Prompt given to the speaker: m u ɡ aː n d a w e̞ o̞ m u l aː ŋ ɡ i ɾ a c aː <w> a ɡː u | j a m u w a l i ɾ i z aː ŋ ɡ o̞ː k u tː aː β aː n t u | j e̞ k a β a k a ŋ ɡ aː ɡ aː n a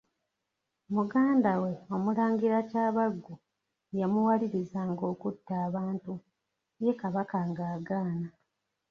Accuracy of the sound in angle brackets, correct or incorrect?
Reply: incorrect